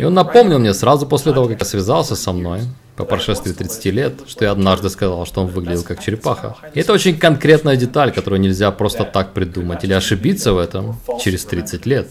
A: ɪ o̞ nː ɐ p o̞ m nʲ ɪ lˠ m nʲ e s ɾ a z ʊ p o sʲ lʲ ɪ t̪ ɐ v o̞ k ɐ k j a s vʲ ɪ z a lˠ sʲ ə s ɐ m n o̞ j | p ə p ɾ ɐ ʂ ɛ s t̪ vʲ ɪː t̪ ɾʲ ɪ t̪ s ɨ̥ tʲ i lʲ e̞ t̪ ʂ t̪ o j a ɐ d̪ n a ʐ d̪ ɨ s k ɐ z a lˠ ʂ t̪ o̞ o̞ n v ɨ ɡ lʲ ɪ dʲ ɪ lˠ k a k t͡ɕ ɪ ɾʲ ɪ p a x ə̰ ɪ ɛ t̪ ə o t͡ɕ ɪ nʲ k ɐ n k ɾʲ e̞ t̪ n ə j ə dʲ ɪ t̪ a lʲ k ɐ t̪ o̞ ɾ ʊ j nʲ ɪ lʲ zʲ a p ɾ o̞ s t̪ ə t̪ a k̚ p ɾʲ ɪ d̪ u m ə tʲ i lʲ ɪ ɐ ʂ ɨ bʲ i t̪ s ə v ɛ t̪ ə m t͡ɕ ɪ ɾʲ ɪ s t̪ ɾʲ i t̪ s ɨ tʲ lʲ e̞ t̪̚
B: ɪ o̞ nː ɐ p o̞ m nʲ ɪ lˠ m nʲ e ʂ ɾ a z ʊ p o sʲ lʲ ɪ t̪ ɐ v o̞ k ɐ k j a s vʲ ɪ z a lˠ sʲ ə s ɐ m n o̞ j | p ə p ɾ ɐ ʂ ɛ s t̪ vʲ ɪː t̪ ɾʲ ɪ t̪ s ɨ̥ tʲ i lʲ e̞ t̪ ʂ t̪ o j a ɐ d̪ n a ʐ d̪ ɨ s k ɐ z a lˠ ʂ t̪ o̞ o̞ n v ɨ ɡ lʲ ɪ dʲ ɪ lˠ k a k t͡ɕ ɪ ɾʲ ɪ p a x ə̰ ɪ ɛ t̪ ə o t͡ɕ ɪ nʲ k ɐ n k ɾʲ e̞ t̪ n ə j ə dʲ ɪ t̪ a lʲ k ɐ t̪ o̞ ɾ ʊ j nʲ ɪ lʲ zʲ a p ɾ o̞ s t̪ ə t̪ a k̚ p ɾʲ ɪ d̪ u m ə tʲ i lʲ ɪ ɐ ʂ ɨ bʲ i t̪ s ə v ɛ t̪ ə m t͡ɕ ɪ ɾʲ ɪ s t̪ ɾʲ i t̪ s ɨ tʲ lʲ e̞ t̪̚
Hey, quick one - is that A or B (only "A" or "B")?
A